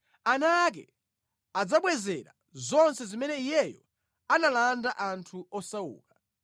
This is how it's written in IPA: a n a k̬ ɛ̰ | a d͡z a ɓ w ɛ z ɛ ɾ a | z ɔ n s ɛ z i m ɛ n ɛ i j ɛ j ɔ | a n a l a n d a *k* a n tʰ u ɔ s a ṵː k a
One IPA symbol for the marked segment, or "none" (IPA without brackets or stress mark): ʔ